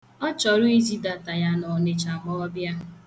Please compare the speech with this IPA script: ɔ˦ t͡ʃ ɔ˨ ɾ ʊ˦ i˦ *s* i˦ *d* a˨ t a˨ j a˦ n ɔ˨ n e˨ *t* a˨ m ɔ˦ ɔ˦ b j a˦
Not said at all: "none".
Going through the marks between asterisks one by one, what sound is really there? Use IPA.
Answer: z, d, t͡ʃ

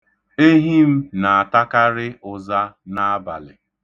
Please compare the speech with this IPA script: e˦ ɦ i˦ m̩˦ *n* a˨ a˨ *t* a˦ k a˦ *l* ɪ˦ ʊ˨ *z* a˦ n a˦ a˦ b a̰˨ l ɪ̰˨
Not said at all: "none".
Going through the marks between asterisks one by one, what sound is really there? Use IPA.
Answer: n, t, ɾ, z

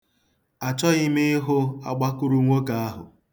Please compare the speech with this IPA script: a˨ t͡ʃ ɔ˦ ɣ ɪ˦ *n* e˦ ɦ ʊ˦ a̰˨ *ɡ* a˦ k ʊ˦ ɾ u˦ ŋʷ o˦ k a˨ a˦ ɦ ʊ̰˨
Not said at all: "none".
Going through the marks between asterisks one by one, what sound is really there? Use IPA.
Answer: m, ɡ͡b

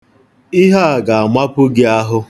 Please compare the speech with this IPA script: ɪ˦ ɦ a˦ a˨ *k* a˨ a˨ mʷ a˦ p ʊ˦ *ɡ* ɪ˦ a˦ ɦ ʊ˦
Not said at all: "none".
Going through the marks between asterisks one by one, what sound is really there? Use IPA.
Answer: ɡ, ɡ

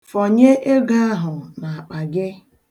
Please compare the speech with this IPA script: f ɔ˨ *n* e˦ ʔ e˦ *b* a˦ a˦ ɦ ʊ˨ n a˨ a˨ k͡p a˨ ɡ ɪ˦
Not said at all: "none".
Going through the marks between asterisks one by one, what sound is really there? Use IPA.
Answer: ɲ, ɡ

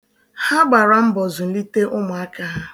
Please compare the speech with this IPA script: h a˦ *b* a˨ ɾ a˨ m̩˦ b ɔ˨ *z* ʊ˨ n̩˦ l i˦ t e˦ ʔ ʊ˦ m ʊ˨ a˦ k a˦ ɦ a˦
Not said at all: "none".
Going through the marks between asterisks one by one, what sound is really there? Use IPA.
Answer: ɡ͡b, z

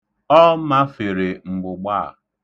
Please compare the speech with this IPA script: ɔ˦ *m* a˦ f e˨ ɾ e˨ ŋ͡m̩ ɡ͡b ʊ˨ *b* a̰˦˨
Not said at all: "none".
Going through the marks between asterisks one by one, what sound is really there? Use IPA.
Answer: m, ɡ͡b

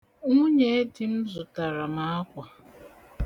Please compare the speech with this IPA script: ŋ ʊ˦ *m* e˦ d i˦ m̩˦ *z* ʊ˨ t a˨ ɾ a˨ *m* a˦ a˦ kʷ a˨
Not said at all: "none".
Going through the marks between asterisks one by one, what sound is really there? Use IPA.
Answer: ɲ, z, m

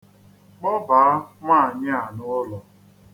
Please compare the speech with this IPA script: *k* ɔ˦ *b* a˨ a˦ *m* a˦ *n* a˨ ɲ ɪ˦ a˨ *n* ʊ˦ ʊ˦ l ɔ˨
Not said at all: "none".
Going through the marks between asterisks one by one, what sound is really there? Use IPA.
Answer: k͡p, b, m, none, n

